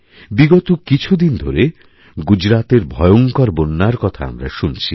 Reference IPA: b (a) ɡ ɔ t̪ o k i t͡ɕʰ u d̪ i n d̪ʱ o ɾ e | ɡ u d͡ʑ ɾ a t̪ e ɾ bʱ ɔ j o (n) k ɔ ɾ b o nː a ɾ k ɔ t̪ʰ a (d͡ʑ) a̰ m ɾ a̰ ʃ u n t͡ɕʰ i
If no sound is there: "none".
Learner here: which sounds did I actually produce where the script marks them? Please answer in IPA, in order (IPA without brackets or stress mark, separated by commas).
i, ŋ, none